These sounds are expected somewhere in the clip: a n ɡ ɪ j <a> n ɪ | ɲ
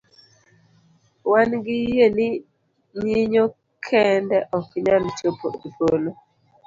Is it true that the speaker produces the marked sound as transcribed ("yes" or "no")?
no